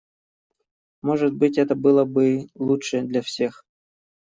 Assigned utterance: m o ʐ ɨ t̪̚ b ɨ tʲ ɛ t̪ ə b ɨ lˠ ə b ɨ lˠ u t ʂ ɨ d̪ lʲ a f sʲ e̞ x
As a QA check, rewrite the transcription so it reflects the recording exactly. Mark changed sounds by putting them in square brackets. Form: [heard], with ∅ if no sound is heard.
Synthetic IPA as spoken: m o ʐ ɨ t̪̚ b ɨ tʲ ɛ t̪ ə b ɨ lˠ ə b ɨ lˠ u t ʂ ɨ d̪ lʲ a f sʲ e̞ x